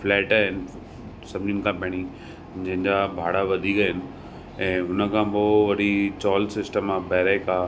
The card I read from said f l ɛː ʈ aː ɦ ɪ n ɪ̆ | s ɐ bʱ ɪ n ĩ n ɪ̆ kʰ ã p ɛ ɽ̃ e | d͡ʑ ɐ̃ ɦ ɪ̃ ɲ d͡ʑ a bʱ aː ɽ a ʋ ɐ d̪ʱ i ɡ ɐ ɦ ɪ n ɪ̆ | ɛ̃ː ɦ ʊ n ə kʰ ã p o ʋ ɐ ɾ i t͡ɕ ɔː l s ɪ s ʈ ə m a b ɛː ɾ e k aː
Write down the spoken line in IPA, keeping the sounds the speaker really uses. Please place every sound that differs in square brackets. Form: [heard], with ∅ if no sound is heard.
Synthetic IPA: f l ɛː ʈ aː ɦ ɪ n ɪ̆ | s ɐ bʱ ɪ n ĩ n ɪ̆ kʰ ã p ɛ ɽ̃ [i] | d͡ʑ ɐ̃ ɦ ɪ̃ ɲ d͡ʑ a bʱ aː ɽ a ʋ ɐ d̪ʱ i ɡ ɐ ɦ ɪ n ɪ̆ | ɛ̃ː ɦ ʊ n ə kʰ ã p o ʋ ɐ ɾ i t͡ɕ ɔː l s ɪ s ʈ ə m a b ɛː ɾ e k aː